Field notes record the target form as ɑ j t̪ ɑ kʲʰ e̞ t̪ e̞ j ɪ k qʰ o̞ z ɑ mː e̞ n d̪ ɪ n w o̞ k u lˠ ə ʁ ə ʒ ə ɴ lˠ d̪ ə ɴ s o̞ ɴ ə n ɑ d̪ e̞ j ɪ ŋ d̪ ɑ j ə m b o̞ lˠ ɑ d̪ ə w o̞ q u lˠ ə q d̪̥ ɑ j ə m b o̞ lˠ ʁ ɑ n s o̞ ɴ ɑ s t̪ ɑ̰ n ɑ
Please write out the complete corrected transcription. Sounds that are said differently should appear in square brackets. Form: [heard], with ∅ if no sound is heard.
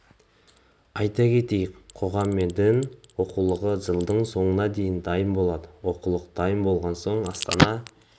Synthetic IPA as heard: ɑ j t̪ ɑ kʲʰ e̞ t̪ e̞ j ɪ k qʰ o̞ [ʁ] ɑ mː e̞ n d̪ ɪ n w o̞ [q] u lˠ ə ʁ ə ʒ ə [∅] lˠ d̪ ə ɴ s o̞ ɴ ə n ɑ d̪ e̞ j ɪ [n] d̪ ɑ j ə m b o̞ lˠ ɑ d̪ ə w o̞ q u lˠ ə q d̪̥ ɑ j ə m b o̞ lˠ ʁ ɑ n s o̞ ɴ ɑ s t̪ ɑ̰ n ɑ